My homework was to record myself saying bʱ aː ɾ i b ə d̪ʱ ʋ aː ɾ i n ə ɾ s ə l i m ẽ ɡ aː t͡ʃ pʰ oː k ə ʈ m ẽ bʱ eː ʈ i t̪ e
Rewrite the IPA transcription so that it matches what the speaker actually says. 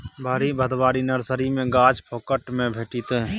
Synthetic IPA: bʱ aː ɾ i b ə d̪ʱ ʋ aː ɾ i n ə ɾ s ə ɾ i m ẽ ɡ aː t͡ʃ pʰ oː k ə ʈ m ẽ bʱ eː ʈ i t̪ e